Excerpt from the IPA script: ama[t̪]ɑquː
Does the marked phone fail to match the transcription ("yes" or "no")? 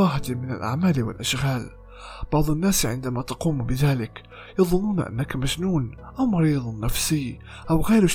no